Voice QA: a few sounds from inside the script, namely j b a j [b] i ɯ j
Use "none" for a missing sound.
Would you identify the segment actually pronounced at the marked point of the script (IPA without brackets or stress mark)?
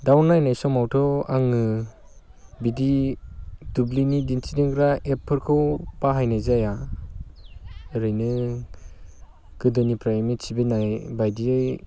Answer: d